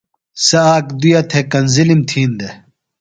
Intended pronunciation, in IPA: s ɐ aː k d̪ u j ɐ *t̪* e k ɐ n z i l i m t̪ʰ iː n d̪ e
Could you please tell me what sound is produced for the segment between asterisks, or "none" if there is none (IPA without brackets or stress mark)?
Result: t̪ʰ